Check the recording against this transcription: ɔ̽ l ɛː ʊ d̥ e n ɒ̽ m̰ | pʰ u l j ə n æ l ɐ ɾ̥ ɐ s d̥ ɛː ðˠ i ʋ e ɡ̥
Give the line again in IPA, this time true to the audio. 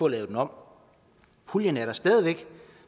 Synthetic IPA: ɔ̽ l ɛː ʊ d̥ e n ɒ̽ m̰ | pʰ u l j ə n æ ɐ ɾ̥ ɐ s d̥ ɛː ðˠ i ʋ e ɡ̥

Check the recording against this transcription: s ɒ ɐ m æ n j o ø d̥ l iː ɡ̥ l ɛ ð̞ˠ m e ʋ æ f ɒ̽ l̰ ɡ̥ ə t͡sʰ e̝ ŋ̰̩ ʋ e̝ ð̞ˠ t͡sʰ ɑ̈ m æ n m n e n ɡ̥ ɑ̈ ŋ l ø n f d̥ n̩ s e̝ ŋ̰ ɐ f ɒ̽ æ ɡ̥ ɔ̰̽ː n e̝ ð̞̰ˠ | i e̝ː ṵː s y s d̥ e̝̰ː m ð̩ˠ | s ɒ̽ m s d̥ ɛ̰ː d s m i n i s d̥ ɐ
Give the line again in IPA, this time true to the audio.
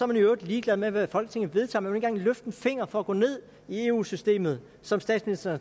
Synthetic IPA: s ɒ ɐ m æ n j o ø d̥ l iː ɡ̥ l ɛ ð̞ˠ m e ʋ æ f ɒ̽ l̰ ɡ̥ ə t͡sʰ e̝ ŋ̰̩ ʋ e̝ ð̞ˠ t͡sʰ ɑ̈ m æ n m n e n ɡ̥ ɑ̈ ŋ l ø f d̥ n̩ f e̝ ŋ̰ ɐ f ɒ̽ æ ɡ̥ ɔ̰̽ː n e̝ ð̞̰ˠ | i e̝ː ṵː s y s d̥ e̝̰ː m ð̩ˠ | s ɒ̽ m s d̥ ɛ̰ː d s m i n i s d̥ ɐ

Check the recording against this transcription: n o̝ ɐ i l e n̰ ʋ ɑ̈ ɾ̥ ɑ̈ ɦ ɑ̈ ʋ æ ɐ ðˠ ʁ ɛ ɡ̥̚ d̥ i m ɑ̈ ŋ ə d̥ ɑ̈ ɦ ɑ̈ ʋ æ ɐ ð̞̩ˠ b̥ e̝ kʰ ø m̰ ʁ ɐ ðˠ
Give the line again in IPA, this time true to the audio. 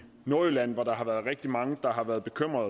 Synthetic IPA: n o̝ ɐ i l æ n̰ ʋ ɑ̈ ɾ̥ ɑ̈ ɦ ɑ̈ ʋ æ ɐ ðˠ ʁ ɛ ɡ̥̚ d̥ i m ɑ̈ ŋ ə d̥ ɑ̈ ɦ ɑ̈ ʋ æ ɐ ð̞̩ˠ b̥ e̝ kʰ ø m̰ ʁ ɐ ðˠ

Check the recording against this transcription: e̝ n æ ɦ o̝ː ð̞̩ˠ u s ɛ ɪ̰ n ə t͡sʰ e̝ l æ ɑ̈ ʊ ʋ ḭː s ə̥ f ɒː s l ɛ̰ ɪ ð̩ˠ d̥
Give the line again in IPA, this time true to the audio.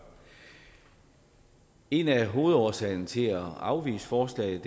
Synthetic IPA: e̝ n æ ɦ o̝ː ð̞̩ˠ ɒ s ɛ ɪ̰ n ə t͡sʰ e̝ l æ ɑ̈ ʊ ʋ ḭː s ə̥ f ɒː s l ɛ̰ ɪ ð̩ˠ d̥

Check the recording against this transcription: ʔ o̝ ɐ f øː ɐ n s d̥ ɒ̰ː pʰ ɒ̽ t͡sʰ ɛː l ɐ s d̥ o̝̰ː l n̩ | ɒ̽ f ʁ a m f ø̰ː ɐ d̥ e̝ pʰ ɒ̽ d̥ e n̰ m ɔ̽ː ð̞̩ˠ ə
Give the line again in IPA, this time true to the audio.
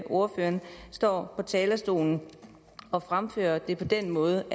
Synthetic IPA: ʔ o̝ ɐ f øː ɐ n s d̥ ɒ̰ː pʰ ɒ̽ t͡sʰ ɛː l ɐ s d̥ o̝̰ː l n̩ | ɒ̽ f ʁ a m f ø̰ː ɐ d̥ e̝ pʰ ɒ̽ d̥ e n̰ m ɔ̽ː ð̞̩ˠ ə

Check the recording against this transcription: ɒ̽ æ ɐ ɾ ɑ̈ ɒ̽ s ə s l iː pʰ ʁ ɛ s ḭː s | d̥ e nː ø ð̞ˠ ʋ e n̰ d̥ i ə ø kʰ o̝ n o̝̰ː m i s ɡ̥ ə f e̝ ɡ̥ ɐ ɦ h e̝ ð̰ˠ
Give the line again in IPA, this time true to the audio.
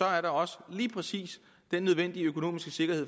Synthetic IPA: ɒ̽ æ ɐ ɾ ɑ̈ ɒ̽ s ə l iː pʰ ʁ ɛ s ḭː s | d̥ e nː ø ð̞ˠ ʋ e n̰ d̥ i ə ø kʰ o̝ n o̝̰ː m i s ɡ̥ ə s e̝ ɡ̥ ɐ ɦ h e̝ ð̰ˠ

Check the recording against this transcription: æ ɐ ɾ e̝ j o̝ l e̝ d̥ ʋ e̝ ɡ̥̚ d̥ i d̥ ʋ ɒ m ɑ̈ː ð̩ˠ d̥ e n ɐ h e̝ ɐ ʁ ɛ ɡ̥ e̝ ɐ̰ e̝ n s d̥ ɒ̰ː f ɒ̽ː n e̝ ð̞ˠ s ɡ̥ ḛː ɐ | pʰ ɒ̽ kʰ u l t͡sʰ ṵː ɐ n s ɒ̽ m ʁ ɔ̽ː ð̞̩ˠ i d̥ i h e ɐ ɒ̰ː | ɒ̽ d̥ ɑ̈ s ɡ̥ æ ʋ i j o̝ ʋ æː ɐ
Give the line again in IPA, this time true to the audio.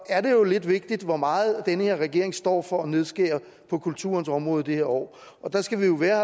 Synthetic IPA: æ ɐ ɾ e̝ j o̝ l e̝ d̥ ʋ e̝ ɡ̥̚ d̥ i d̥ ʋ ɒ m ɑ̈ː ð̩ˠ d̥ e n ə h e̝ ɐ ʁ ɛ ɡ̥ e̝ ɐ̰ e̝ ŋ s d̥ ɒ̰ː f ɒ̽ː n e̝ ð̞ˠ s ɡ̥ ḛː ɐ | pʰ ɒ̽ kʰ u l t͡sʰ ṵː ɐ n s ɒ̽ m ʁ ɔ̽ː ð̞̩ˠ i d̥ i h e ɐ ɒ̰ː | ɒ̽ d̥ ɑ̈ s ɡ̥ æ ʋ i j o̝ ʋ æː ɐ

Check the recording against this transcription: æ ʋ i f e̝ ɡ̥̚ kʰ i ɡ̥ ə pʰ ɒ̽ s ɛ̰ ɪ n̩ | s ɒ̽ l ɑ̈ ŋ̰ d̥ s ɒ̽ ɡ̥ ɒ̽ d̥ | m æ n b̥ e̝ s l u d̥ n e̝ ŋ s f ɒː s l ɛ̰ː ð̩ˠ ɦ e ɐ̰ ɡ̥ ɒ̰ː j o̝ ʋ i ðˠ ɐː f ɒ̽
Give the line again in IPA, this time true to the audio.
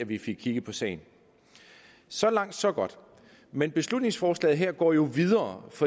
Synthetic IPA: æ ʋ i f e̝ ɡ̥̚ kʰ i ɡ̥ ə pʰ ɒ̽ s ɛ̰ ɪ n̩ | s ɒ̽ l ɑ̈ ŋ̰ d̥ s ɒ̽ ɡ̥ ɒ̽ d̥ | m e n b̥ e̝ s l u d̥ n e̝ ŋ s f ɒː s l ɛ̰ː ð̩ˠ ɦ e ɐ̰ ɡ̥ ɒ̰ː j o̝ ʋ i ðˠ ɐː f ɒ̽

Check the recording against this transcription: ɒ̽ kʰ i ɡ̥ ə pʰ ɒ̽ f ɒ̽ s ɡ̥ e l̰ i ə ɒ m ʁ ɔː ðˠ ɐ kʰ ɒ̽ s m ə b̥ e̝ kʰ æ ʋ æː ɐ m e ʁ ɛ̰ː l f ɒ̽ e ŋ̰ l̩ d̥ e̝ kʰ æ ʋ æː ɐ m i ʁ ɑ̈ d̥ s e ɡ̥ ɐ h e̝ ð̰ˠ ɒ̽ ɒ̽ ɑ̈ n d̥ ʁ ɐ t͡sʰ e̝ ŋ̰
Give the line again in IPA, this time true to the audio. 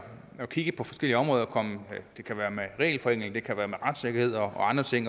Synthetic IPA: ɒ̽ kʰ i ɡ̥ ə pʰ ɒ̽ f ɒ̽ s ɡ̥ e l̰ i ə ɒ m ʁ ɔː ðˠ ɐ kʰ ɒ̽ m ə d̥ e̝ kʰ æ ʋ æː ɐ m e ʁ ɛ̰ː l f ɒ̽ e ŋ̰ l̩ d̥ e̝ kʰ æ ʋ æː ɐ m e ʁ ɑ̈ d̥ s e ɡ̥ ɐ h e̝ ð̰ˠ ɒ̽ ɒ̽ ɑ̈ n d̥ ʁ ɐ t͡sʰ e̝ ŋ̰

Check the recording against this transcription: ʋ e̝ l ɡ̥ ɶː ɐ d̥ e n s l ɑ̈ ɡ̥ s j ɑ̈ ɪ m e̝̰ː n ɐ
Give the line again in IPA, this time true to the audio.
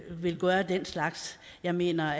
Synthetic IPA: ʋ e̝ l ɡ̥ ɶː ɐ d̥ e n s l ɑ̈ ɡ̥ s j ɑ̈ ɪ m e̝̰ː n ɐ

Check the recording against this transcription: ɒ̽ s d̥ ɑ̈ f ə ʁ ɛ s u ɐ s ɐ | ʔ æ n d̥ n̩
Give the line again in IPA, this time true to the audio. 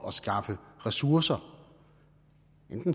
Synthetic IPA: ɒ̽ s ɡ̥ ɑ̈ f ə ʁ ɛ s u ɐ s ɐ | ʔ e n d̥ n̩

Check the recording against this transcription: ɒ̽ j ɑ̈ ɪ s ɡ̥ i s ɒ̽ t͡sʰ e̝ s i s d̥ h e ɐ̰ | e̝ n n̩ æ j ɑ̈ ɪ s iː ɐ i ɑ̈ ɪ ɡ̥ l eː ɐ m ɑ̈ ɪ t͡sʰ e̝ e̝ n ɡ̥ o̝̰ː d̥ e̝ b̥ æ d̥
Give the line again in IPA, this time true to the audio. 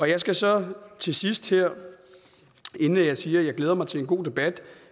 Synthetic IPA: ɒ̽ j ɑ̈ ɪ s ɡ̥ æ s ɒ̽ t͡sʰ e̝ s i s d̥ h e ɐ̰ | e̝ n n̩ æ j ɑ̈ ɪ s iː ɐ j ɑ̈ ɪ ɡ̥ l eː ɐ m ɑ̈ ɪ t͡sʰ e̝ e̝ n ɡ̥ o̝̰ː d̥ e̝ b̥ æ d̥

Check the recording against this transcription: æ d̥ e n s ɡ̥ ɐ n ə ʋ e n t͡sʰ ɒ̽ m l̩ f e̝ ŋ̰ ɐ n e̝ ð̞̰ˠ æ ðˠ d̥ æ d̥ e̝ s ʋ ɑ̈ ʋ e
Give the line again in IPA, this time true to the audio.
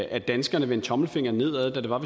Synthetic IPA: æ d̥ æ n s ɡ̥ ɐ n ə ʋ e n t͡sʰ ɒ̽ m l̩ f e̝ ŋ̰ ɐ n e̝ ð̞̰ˠ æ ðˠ d̥ æ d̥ e̝ ʋ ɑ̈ ʋ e

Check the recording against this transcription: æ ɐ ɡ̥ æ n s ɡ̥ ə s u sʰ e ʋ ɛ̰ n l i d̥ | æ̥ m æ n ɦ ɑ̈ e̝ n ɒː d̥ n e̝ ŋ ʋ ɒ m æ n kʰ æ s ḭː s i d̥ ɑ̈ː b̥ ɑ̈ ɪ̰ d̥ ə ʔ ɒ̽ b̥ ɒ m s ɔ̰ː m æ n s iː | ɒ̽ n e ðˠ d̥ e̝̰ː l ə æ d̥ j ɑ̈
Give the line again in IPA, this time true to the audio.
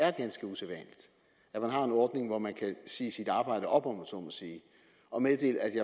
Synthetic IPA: æ ɐ ɡ̥ æ n s ɡ̥ ə u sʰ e ʋ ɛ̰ n l i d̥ | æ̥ m æ n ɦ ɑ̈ e̝ n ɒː d̥ n e̝ ŋ ʋ ɒ m æ n kʰ æ s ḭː s i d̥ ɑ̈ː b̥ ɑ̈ ɪ̰ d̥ ə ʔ ɒ̽ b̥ ɒ m s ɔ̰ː m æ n s iː | ɒ̽ m e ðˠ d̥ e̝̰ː l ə æ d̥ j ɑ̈

